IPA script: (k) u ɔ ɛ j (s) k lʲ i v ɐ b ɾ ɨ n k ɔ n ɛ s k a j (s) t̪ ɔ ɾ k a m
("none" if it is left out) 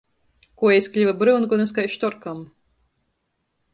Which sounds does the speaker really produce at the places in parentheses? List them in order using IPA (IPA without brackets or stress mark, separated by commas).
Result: k, s, ʃ